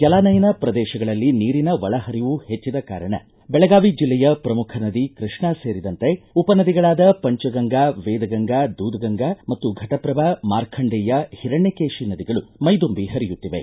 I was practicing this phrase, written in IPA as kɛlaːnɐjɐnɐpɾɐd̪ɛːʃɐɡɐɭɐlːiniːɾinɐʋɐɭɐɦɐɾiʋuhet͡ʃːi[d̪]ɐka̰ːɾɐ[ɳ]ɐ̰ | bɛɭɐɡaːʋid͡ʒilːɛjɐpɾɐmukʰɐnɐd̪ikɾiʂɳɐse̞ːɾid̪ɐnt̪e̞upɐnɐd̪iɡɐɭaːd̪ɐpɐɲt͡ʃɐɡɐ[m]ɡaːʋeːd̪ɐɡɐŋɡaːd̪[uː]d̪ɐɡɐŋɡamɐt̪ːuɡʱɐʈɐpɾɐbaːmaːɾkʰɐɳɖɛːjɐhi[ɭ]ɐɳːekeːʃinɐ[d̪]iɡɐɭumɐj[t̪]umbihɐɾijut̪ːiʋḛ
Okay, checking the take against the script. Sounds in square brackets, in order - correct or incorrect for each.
correct, correct, incorrect: ŋ, correct, incorrect: ɾ, correct, incorrect: d̪

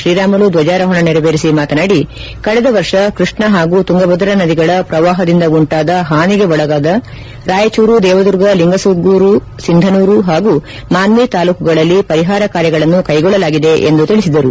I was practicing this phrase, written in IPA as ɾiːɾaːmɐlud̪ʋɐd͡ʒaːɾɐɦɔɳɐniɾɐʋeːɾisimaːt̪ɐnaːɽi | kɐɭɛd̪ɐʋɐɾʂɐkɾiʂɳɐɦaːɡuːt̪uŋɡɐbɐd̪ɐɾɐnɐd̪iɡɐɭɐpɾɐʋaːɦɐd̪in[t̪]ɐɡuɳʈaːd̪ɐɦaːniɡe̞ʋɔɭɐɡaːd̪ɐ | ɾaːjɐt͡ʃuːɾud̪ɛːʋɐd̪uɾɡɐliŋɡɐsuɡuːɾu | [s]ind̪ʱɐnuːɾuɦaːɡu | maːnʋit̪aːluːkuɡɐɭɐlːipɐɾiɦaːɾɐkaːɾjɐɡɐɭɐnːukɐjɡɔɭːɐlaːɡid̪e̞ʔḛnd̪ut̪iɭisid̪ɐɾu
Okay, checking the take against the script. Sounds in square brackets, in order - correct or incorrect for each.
incorrect: d̪, correct

